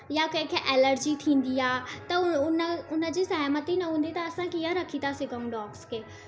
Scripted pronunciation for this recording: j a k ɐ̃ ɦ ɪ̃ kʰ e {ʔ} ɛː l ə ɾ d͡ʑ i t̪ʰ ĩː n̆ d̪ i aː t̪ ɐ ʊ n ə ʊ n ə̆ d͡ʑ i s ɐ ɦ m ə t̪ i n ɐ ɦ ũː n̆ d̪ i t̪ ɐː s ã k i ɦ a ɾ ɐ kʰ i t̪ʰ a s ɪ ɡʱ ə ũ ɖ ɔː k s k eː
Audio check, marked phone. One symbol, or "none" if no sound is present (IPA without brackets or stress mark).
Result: ʔ